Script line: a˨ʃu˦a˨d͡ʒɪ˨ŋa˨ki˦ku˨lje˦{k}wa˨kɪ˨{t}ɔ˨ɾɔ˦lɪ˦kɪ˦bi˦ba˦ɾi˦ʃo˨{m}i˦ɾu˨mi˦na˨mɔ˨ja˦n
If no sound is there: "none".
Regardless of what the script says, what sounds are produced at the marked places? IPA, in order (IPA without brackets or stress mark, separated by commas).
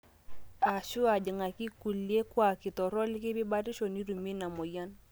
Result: k, t, n